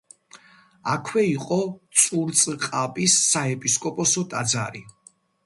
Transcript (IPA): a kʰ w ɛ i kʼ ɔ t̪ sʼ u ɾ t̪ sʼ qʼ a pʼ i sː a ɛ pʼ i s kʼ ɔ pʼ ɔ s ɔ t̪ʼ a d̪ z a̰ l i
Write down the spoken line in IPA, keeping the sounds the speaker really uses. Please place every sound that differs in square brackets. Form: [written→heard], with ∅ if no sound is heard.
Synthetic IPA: a kʰ w ɛ i [kʼ→qʼ] ɔ t̪ sʼ u ɾ t̪ sʼ qʼ a pʼ i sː a ɛ pʼ i s kʼ ɔ pʼ ɔ s ɔ t̪ʼ a d̪ z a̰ [l→ɾ] i